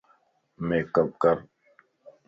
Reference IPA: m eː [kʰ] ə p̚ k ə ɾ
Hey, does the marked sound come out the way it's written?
no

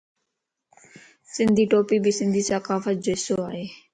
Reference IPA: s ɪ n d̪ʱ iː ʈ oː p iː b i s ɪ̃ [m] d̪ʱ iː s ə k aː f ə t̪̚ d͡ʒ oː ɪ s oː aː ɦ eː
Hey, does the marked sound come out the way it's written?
no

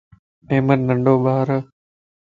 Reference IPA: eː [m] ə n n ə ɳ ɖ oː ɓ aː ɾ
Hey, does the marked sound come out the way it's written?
yes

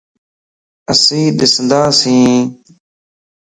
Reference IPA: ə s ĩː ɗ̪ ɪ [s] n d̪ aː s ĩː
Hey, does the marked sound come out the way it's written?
yes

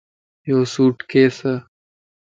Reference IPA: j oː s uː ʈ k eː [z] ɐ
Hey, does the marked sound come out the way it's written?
no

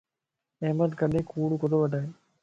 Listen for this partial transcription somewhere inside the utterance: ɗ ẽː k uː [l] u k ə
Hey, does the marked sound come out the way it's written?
no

